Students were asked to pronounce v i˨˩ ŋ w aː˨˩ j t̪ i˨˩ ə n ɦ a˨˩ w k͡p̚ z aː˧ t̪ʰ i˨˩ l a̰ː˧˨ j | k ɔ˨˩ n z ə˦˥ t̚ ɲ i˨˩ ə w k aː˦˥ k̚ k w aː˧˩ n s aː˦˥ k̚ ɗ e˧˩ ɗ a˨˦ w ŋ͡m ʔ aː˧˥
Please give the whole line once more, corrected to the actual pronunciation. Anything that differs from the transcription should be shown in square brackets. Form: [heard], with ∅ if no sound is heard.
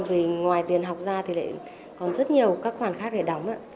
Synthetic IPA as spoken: v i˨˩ ŋ w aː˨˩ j t̪ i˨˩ ə n ɦ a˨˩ w k͡p̚ z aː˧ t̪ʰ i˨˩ l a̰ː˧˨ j | k ɔ˨˩ n z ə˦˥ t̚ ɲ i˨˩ ə w k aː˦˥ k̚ [x] w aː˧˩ n [x] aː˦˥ k̚ ɗ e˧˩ ɗ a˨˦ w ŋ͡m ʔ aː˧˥